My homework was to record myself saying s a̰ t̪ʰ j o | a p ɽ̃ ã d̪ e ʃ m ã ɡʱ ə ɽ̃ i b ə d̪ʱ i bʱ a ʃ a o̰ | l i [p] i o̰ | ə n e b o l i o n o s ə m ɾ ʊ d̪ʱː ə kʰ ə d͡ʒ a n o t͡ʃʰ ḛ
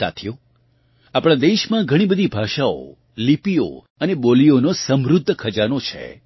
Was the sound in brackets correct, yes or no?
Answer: yes